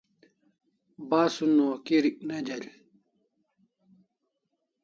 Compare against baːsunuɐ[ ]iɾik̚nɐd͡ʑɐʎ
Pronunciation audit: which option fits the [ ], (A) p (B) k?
B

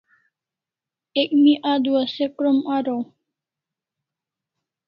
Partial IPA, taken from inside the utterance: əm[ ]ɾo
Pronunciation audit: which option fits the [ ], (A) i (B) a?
B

